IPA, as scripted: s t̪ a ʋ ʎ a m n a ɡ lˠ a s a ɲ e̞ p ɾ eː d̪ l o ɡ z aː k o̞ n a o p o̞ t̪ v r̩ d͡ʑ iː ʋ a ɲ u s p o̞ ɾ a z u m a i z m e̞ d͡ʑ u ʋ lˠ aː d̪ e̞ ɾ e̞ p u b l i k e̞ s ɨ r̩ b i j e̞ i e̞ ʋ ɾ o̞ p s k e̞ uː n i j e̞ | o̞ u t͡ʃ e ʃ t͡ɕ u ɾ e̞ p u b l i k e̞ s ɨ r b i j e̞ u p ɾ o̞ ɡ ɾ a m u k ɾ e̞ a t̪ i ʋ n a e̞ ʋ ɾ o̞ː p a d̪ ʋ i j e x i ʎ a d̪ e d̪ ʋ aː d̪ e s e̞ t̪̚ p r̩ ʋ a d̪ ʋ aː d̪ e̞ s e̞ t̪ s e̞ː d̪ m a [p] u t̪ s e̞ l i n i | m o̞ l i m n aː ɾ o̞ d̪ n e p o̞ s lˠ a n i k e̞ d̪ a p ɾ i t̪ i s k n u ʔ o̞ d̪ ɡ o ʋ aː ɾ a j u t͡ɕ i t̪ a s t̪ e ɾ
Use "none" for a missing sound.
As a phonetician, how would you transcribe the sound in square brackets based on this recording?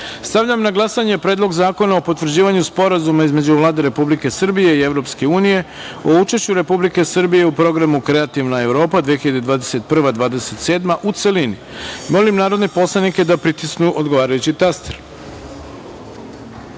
ʔ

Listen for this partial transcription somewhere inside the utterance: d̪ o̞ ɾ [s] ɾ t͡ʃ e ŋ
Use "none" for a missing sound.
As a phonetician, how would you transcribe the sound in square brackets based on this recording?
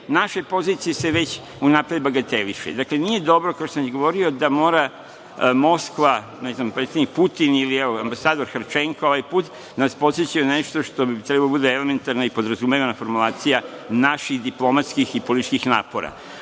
x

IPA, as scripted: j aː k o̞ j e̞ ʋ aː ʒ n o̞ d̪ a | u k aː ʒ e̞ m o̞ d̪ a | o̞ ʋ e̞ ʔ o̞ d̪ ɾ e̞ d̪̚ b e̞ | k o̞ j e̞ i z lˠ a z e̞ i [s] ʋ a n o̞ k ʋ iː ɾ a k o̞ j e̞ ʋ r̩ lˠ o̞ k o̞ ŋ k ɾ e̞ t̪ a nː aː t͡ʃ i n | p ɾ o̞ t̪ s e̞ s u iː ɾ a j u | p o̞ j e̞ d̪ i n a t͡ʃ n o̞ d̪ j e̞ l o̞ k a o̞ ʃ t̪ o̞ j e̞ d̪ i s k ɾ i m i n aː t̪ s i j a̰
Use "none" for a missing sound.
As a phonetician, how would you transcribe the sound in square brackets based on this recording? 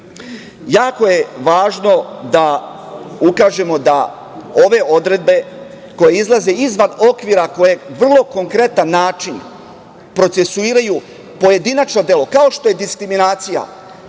z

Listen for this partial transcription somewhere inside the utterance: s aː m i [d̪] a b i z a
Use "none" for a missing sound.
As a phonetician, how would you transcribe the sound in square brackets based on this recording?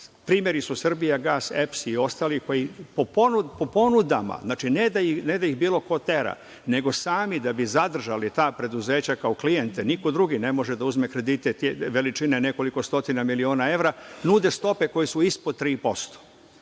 d̪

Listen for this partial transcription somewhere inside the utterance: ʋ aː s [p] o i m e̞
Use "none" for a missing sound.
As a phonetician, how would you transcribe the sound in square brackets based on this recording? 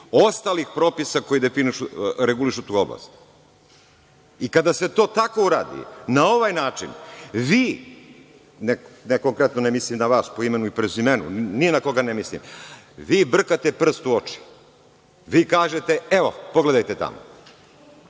p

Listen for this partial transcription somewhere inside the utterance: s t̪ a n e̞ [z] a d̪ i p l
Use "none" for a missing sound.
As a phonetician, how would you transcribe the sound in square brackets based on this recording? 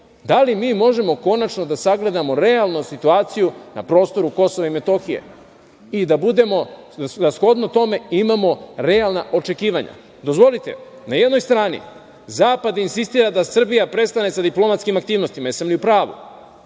s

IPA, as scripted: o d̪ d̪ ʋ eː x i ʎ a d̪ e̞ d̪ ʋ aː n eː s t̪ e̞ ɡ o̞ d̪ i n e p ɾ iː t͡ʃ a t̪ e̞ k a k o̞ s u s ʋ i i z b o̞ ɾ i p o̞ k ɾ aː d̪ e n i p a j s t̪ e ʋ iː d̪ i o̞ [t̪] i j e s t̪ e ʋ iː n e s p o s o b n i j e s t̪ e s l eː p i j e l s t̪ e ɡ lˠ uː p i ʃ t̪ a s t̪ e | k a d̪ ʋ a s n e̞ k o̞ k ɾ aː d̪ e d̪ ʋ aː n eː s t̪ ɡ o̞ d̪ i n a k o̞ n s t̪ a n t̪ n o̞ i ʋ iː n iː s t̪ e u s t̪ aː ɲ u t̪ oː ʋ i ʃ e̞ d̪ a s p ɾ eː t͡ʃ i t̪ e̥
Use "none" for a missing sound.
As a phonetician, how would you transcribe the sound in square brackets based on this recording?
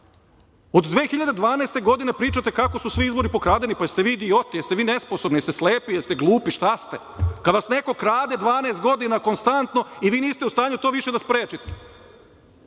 t̪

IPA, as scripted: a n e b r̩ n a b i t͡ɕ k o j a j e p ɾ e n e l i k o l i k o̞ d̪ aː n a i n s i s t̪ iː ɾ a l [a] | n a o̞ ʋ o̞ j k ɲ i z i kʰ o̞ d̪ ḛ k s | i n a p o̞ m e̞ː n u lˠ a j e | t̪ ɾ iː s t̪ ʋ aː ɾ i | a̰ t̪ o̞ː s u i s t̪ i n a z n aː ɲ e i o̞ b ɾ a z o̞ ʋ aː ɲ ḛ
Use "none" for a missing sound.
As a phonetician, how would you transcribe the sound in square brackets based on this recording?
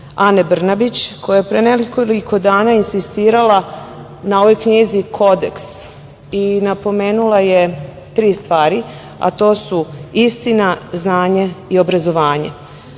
a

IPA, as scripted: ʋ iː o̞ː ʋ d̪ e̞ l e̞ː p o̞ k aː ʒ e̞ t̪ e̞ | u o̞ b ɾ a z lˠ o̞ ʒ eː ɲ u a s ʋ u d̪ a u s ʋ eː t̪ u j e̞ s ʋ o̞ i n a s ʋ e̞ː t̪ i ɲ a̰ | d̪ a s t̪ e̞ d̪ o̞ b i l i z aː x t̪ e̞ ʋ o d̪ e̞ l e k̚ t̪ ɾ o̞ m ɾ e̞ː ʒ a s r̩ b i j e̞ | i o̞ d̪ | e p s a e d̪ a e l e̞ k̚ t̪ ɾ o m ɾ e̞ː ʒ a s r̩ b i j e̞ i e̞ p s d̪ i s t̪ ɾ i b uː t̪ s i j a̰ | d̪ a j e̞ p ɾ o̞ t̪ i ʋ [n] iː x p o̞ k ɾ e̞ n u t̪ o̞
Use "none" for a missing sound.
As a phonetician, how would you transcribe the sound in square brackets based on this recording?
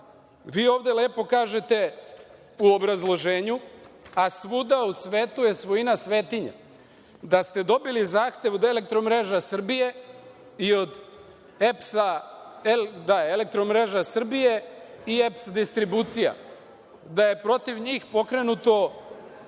ɲ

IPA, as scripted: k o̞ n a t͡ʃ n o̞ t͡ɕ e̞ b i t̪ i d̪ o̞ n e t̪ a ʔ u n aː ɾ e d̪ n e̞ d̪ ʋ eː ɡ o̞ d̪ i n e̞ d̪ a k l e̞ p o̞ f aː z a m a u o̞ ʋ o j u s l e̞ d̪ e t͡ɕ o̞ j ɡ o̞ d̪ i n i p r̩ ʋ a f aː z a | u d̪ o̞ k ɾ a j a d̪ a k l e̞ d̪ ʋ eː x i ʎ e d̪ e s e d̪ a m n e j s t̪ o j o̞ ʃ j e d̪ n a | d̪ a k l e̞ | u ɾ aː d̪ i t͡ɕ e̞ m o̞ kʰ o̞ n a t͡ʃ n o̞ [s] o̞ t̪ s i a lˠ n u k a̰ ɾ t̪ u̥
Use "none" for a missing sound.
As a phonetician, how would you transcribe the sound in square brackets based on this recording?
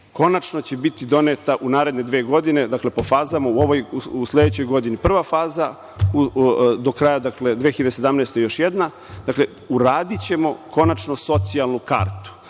s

